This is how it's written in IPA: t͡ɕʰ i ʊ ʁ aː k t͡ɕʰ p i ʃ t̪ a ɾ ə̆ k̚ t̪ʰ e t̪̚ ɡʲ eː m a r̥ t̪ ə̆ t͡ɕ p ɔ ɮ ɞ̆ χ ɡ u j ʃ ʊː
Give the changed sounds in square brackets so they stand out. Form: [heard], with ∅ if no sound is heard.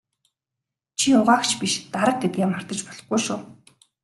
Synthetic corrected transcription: t͡ɕʰ i ʊ ʁ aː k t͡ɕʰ p i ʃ t̪ a ɾ ə̆ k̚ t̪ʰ e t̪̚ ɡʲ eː m a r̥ t̪ ə̆ t͡ɕ p ɔ ɮ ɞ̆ χ ɡ u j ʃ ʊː